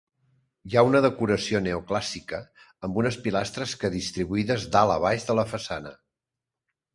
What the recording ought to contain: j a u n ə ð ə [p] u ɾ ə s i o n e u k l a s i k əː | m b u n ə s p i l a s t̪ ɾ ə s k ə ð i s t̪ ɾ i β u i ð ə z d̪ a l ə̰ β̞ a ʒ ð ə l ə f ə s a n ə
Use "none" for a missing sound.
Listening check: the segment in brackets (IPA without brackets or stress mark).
k